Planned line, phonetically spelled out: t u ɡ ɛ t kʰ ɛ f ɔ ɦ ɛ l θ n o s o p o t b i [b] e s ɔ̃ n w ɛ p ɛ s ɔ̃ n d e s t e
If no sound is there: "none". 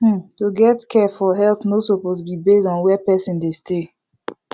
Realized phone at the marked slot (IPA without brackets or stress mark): b